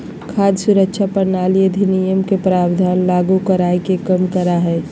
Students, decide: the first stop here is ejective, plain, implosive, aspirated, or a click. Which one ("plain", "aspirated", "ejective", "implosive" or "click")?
aspirated